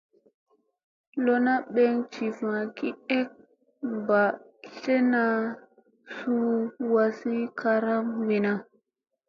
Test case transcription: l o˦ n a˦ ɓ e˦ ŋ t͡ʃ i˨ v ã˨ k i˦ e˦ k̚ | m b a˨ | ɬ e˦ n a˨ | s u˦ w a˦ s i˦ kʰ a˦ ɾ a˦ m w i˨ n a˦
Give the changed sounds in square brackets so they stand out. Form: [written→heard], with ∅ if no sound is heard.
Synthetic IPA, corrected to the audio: l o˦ n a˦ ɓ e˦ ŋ t͡ʃ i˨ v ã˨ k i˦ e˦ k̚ | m b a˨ | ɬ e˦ n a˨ | s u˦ w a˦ s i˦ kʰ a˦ ɾ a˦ m w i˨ n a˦